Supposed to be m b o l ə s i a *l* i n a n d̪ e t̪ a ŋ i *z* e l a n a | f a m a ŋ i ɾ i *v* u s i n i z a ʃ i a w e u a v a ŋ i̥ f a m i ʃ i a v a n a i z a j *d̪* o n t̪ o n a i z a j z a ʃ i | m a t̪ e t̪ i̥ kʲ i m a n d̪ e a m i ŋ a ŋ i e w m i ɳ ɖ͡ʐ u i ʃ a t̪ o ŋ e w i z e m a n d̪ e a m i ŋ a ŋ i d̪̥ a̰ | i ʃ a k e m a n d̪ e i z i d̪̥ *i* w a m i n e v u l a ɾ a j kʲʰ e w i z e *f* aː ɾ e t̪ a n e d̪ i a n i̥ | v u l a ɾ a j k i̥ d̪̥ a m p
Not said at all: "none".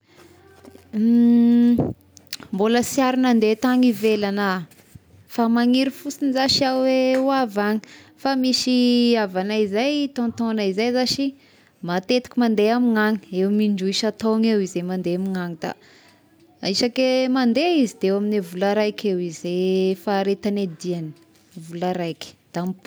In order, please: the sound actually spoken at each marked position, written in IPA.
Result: ɾ, v, f, t̪, e, f

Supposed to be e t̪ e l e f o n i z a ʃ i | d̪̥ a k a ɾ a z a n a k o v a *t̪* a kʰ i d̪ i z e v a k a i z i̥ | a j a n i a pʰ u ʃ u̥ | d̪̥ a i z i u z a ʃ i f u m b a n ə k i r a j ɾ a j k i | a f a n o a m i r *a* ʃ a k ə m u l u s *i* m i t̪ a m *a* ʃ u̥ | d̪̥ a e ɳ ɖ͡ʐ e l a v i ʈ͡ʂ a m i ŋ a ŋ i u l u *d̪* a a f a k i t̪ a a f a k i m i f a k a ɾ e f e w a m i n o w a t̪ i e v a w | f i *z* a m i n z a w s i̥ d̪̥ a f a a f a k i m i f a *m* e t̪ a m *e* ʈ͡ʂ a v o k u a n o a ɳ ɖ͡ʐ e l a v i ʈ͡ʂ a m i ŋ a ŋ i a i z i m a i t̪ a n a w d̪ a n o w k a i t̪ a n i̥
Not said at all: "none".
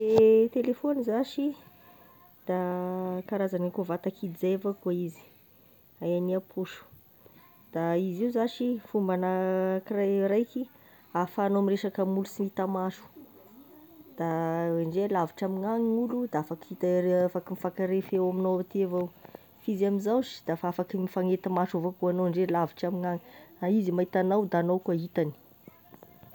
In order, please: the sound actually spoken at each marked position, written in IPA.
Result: t̪, e, i, a, d̪, z, ŋ, a

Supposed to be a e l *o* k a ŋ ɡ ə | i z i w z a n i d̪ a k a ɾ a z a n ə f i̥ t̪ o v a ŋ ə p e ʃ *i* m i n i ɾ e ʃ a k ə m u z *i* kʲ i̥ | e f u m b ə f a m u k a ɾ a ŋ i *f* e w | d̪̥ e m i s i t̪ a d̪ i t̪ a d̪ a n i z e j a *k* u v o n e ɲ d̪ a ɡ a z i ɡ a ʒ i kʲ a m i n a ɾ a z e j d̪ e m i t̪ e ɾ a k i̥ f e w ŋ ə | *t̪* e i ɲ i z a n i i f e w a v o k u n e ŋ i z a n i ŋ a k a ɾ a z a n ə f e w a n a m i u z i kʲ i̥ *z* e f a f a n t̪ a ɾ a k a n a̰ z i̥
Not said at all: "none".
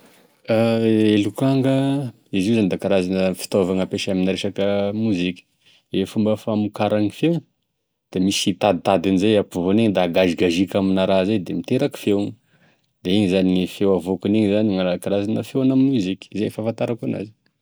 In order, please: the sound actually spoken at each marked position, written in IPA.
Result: u, a, i, f, p, d̪, z

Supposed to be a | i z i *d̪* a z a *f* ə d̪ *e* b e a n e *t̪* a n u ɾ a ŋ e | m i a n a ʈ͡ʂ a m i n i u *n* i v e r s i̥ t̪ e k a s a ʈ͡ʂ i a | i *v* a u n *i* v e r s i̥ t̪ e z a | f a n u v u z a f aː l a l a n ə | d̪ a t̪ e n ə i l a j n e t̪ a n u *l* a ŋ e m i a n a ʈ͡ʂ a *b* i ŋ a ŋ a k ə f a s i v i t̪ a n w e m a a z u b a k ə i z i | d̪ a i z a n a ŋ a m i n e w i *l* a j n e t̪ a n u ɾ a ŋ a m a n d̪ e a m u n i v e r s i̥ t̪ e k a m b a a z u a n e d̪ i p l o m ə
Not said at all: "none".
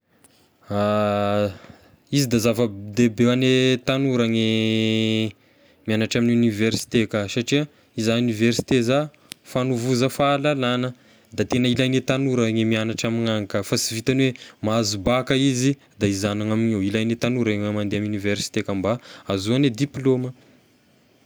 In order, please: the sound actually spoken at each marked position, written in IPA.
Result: d̪, v, e, t̪, n, z, i, ɾ, m, l

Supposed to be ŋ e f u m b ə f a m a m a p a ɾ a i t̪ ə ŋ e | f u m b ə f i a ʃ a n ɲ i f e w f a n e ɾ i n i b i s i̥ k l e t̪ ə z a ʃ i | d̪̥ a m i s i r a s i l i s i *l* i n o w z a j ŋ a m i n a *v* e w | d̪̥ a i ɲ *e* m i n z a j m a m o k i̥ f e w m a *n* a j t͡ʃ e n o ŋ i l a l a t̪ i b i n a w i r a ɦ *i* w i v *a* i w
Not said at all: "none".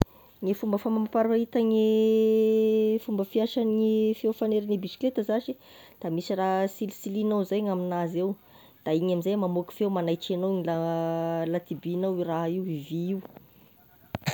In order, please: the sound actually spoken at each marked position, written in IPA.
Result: l, z, a, n, i, i

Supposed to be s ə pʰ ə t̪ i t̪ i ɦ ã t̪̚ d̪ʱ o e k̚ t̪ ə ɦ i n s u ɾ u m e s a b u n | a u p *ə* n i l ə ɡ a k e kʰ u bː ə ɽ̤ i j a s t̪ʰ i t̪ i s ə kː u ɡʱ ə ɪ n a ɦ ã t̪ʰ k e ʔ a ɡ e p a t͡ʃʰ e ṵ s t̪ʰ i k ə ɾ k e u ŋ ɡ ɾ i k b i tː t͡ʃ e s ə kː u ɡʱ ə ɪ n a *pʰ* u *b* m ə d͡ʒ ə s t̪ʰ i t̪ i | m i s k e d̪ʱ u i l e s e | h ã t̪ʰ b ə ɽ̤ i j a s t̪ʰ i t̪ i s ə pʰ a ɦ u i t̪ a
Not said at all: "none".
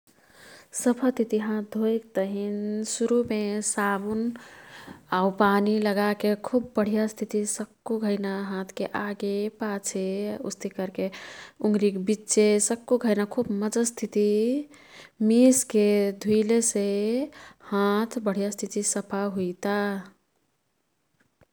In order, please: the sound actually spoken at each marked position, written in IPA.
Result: a, kʰ, b

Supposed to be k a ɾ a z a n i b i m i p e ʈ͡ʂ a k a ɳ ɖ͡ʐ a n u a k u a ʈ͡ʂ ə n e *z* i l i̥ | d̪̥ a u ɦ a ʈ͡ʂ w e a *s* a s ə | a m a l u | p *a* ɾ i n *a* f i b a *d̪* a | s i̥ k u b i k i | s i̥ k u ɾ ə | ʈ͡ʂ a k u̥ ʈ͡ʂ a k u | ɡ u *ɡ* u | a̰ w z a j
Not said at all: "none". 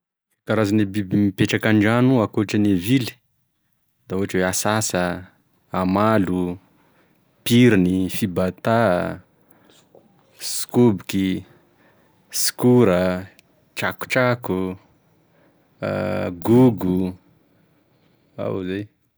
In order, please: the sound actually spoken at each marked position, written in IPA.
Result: v, s, i, i, t̪, ɡ

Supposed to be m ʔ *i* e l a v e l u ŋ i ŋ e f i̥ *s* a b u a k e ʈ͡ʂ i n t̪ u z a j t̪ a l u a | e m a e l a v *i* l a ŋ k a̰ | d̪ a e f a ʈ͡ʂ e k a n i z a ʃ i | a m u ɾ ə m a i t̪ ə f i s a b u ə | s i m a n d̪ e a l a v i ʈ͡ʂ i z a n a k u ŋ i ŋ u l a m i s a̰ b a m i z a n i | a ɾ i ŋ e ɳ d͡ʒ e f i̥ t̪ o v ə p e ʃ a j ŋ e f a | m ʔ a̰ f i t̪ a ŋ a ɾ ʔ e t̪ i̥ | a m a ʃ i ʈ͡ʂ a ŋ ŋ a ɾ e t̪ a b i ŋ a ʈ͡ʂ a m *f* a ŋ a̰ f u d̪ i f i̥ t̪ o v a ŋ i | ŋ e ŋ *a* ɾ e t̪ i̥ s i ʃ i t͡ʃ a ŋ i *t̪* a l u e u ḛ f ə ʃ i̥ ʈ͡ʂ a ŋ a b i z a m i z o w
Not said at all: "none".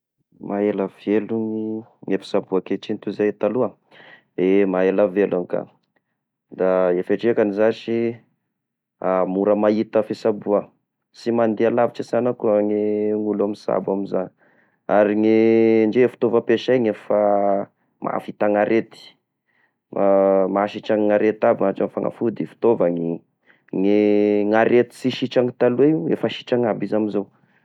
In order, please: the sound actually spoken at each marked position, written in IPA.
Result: a, s, e, f, a, t̪

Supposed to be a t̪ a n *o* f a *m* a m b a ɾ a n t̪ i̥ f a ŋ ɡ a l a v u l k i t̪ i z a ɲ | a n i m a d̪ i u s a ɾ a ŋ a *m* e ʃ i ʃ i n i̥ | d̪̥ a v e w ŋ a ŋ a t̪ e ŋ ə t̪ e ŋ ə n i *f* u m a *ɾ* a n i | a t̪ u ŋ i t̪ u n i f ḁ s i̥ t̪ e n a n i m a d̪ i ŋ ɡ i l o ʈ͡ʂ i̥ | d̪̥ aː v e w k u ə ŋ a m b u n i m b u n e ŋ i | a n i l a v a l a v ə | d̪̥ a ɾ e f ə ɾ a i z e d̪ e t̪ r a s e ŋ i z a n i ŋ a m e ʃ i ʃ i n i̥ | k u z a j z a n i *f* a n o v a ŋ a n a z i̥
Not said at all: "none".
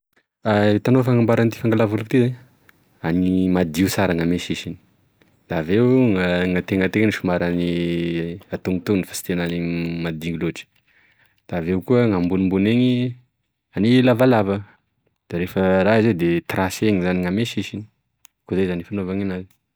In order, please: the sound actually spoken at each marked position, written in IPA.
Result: o, ŋ, m, ʃ, ɾ, f

